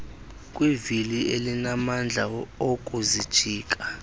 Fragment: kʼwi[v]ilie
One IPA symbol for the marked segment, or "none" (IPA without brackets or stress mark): v